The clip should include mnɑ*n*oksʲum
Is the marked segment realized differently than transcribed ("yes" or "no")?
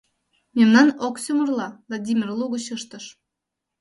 no